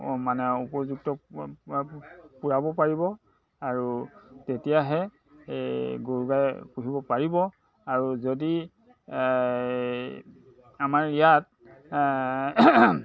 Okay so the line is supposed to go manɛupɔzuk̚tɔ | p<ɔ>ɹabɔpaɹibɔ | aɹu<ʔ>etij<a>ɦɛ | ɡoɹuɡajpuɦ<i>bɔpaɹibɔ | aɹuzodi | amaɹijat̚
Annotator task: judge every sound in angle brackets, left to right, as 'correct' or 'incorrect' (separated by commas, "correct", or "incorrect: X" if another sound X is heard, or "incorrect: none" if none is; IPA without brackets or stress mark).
incorrect: u, incorrect: t, correct, correct